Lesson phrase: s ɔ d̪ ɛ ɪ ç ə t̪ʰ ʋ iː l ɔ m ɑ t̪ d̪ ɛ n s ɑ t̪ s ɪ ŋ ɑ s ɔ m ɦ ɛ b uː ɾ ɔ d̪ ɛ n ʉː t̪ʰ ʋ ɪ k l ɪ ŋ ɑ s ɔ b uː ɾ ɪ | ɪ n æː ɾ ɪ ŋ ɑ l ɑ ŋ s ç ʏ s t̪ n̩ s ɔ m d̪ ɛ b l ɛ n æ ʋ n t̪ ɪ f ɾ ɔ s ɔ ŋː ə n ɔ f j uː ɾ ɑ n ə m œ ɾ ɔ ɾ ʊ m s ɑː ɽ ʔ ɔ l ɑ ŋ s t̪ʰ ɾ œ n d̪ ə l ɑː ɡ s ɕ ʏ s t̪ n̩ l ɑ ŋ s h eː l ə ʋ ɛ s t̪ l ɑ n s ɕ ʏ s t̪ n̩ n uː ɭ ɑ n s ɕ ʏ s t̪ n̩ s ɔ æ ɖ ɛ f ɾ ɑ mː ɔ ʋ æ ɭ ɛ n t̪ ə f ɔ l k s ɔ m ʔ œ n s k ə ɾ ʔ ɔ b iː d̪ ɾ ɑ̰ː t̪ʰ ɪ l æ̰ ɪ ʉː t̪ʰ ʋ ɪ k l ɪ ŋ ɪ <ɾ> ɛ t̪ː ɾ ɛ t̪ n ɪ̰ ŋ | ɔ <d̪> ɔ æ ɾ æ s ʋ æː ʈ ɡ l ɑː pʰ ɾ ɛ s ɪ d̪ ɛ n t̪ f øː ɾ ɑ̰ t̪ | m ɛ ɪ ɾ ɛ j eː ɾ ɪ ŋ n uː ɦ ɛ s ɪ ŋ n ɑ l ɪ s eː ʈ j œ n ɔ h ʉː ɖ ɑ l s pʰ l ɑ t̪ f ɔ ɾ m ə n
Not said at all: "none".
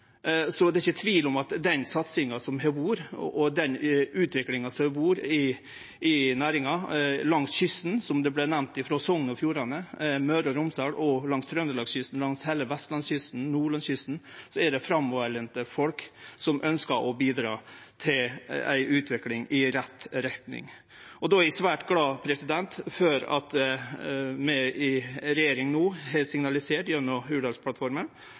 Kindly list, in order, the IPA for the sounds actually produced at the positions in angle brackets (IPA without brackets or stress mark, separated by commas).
ɾ, d̪